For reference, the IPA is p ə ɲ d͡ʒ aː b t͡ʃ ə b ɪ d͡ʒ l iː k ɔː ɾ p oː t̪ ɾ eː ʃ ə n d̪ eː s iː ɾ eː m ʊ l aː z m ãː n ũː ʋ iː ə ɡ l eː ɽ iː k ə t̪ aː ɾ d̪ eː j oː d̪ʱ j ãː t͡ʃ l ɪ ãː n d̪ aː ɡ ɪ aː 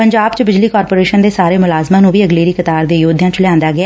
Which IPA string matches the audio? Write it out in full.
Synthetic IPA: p ə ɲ d͡ʒ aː b t͡ʃ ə b ɪ d͡ʒ l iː k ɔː ɾ p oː ɾ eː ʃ ə n d̪ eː s aː ɾ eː m ʊ l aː z m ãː n ũː ʋ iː ə ɡ l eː ɾ iː k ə t̪ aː ɾ d̪ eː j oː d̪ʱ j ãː t͡ʃ l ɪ ãː n d̪ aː ɡ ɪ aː